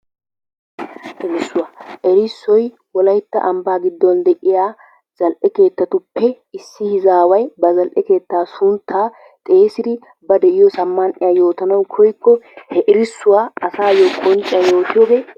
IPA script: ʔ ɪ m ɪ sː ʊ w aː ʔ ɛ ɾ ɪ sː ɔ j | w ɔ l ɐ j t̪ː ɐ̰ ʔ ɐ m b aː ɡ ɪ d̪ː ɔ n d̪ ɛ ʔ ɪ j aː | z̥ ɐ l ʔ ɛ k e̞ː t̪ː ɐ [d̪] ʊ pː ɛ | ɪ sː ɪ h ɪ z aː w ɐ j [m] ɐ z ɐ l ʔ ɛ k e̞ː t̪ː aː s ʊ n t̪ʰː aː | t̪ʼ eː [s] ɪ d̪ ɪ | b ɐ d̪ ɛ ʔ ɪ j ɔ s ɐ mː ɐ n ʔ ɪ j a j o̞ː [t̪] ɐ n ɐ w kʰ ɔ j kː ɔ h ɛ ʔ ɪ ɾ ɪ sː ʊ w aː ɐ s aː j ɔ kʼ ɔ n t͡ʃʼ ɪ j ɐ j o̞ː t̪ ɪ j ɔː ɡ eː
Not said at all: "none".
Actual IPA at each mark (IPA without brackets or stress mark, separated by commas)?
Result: t̪, b, s, t̪